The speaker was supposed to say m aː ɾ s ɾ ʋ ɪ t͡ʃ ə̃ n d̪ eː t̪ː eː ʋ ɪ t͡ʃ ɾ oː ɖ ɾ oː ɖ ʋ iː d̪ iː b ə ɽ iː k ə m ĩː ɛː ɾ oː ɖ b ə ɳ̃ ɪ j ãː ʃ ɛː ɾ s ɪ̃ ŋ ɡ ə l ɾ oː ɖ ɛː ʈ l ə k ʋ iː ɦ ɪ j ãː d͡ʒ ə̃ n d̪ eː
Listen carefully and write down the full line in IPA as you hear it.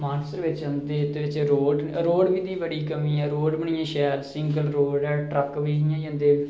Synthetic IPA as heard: m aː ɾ s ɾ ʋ ɪ t͡ʃ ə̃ n d̪ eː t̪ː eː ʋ ɪ t͡ʃ ɾ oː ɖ ɾ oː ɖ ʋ iː d̪ iː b ə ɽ iː k ə m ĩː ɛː ɾ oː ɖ b ə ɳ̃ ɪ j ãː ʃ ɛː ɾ s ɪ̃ ŋ ɡ ə l ɾ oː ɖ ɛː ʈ ɾ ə k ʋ iː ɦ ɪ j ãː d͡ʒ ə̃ n d̪ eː